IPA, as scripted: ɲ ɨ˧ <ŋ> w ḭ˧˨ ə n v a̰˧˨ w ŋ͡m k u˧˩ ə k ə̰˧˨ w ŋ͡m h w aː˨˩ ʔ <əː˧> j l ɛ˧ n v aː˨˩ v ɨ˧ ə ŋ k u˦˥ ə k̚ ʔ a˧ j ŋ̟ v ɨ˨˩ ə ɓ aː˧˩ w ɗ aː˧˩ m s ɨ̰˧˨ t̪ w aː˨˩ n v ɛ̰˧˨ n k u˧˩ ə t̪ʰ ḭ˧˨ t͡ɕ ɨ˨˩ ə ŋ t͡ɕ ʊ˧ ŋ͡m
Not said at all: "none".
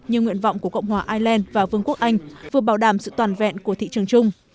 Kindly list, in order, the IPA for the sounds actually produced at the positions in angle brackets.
ŋ, aː˧

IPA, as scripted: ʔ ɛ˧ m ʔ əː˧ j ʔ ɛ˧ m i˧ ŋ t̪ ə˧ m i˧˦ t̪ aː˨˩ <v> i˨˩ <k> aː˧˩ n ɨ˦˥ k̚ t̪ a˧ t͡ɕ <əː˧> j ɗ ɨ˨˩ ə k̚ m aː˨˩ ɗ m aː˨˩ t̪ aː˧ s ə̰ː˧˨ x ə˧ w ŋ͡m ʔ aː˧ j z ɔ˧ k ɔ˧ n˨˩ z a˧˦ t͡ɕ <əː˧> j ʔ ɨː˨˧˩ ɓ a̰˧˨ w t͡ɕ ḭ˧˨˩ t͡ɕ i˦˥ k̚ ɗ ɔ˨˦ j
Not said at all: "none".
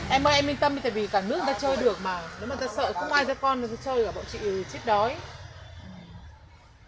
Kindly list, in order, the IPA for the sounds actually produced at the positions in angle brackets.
v, k, əː˧, əː˧

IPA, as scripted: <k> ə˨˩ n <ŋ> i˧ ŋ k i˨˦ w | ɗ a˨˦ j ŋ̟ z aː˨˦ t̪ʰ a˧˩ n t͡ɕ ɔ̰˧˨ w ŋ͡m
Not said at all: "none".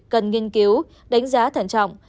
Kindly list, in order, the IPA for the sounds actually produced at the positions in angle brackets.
k, ŋ

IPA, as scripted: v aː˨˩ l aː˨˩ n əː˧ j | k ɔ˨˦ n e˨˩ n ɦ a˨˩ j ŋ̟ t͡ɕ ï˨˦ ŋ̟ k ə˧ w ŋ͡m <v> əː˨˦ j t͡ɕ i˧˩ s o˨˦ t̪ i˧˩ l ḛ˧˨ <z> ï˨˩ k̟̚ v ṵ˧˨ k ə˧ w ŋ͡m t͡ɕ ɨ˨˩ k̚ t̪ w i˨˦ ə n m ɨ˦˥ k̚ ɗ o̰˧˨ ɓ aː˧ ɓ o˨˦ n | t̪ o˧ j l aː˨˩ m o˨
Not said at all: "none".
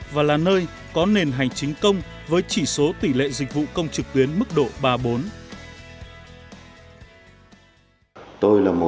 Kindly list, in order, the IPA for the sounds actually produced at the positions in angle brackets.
v, z

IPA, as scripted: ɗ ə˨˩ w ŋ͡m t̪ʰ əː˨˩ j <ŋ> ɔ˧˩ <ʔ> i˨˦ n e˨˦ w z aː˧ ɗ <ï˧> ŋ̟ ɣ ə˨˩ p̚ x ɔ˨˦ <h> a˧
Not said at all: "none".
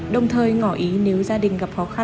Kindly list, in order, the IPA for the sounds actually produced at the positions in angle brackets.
ŋ, ʔ, ï˨˩, x

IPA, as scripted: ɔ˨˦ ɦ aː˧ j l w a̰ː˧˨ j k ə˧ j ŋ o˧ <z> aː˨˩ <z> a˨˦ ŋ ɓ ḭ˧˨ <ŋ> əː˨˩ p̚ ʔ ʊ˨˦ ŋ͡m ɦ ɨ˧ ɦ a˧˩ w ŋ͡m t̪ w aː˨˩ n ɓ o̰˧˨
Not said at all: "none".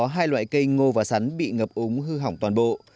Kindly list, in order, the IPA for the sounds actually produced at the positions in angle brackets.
v, s, ŋ

